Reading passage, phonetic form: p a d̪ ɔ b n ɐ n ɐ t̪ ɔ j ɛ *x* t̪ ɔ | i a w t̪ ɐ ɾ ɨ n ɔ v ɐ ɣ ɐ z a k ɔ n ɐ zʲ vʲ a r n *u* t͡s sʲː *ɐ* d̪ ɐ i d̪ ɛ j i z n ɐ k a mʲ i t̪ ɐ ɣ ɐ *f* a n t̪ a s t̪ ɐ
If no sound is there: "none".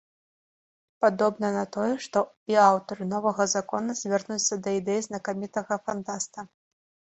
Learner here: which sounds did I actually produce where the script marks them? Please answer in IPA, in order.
ʂ, u, ɐ, f

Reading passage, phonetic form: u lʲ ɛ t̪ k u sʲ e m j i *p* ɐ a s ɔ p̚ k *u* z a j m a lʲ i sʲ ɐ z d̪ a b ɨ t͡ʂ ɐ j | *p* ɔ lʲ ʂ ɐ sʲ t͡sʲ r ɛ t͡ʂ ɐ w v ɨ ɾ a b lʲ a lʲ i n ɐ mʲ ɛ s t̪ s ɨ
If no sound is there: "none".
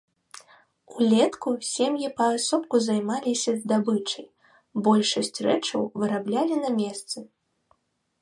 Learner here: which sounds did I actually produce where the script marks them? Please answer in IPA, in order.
p, u, b

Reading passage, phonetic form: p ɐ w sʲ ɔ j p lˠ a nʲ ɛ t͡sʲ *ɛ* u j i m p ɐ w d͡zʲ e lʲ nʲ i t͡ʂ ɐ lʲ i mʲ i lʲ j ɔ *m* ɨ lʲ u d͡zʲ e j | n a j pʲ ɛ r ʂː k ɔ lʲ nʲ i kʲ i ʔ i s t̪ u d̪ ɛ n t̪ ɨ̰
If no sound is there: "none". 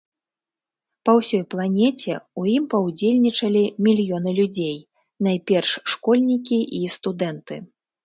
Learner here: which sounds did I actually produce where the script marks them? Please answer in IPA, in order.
ɛ, n

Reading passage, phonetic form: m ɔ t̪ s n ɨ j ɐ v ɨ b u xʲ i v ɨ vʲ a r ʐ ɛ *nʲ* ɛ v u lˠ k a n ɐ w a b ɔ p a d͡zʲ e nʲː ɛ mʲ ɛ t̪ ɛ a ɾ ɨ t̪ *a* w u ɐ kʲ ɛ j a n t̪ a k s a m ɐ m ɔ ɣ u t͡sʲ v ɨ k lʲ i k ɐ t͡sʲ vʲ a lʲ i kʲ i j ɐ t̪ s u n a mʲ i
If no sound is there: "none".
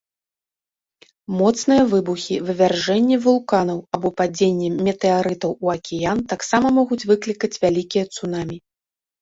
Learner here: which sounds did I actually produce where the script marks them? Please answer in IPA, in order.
nʲː, ɐ

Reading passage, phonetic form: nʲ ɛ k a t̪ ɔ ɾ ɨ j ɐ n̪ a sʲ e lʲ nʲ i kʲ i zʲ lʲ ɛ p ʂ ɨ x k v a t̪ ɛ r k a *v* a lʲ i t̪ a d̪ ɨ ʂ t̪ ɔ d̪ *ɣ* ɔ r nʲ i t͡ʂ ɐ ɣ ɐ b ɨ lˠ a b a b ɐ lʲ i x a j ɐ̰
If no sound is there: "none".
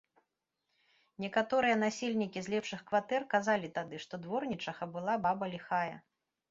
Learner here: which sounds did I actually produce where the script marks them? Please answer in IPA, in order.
z, v

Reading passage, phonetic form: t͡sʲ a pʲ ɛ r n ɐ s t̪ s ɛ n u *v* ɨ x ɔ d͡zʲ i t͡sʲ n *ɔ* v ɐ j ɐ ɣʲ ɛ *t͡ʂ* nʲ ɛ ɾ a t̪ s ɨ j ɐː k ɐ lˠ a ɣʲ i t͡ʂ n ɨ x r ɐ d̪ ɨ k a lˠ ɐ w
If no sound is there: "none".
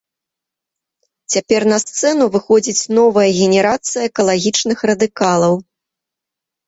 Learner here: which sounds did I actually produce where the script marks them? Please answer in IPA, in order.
v, ɔ, none

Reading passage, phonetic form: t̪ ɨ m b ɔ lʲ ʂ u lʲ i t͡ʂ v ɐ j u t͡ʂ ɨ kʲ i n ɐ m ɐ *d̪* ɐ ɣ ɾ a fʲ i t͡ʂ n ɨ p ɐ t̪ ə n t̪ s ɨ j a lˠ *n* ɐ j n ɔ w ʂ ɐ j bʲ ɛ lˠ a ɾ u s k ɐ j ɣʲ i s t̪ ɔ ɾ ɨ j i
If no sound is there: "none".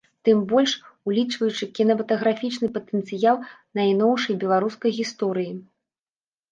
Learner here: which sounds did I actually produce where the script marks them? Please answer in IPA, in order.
t̪, n

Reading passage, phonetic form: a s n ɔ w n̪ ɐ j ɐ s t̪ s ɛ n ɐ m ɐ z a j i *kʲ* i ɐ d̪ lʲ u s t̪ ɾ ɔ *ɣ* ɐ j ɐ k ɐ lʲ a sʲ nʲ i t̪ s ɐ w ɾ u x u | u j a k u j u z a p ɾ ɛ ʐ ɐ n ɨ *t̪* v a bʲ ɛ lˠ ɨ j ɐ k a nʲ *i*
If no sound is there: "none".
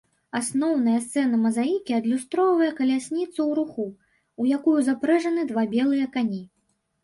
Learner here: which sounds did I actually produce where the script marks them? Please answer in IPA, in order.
kʲ, v, d̪, i

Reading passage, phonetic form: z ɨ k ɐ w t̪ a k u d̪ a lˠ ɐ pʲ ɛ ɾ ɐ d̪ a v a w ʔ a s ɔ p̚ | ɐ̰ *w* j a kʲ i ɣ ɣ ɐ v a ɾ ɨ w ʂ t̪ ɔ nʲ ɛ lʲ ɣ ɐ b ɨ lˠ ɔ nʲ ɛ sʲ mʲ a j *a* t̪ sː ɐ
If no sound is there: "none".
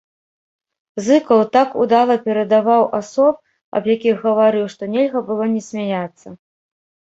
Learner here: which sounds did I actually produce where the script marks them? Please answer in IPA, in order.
b, a

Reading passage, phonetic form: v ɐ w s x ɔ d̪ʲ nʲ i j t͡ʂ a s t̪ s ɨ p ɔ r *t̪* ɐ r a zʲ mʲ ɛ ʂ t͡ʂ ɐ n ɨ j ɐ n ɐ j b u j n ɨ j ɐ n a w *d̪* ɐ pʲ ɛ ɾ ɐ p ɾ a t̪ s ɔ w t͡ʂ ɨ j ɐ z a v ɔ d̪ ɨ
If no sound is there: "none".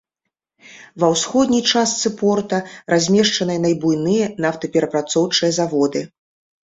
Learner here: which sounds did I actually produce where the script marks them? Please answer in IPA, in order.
t̪, t̪

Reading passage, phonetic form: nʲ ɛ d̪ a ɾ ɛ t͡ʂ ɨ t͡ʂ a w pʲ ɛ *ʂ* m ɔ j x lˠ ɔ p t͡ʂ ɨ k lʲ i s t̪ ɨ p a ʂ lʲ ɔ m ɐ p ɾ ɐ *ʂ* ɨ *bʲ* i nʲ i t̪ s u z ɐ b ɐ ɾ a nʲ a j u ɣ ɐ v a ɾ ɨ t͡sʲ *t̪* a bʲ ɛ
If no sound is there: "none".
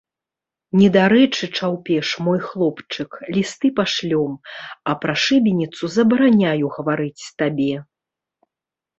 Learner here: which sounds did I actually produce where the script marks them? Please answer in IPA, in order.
ʂ, ʂ, bʲ, t̪

